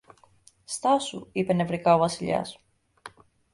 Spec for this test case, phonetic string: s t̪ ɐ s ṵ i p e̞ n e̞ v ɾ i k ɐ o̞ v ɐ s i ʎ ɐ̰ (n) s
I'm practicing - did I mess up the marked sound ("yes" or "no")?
yes